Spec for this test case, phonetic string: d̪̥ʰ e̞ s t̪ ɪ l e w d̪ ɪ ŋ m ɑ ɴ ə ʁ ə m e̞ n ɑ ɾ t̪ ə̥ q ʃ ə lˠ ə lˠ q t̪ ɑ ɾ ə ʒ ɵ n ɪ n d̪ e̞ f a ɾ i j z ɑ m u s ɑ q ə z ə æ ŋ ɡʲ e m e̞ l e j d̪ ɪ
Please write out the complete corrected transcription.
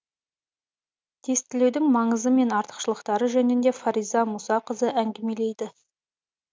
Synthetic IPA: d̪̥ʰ e̞ s t̪ ɪ l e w d̪ ɪ ŋ m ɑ ɴ ə z ə m e̞ n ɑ ɾ t̪ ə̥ q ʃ ə lˠ ə q t̪ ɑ ɾ ə ʒ ɵ n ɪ n d̪ e̞ f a ɾ i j z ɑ m u s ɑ q ə z ə æ ŋ ɡʲ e m e̞ l e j d̪ ɪ